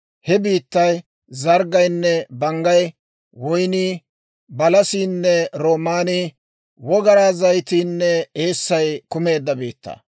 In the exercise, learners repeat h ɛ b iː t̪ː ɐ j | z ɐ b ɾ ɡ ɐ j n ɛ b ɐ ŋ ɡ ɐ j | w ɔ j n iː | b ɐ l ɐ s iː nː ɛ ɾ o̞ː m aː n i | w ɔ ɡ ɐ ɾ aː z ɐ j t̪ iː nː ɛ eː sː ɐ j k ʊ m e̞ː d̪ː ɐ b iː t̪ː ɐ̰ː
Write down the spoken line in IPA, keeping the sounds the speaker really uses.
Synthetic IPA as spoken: h ɛ b iː t̪ː ɐ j | z ɐ ɾ ɡ ɐ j nː ɛ b ɐ ŋ ɡ ɐ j | w ɔ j n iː | b ɐ l ɐ s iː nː ɛ ɾ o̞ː m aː n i | w ɔ ɡ ɐ ɾ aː z ɐ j t̪ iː nː ɛ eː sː ɐ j k ʊ m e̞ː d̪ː ɐ b iː t̪ː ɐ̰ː